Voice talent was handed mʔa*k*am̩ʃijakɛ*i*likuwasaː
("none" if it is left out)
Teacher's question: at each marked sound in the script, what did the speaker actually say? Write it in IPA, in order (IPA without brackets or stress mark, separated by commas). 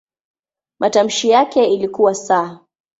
t, i